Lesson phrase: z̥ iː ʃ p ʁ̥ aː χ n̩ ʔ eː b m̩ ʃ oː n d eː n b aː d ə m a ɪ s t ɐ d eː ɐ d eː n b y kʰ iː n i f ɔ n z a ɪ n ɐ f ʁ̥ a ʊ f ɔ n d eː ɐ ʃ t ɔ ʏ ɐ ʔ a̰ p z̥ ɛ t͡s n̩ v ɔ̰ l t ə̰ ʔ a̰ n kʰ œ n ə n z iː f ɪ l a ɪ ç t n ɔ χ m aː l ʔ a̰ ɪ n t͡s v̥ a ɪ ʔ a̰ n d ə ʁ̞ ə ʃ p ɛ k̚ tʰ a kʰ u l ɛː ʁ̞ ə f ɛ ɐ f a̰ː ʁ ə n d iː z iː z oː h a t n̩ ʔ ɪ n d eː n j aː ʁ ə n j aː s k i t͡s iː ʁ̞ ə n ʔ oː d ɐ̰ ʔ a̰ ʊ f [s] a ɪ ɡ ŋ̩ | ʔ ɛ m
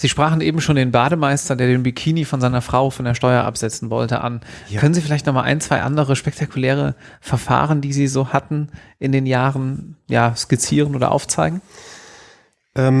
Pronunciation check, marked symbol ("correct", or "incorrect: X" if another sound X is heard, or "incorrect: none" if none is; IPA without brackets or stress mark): incorrect: t͡s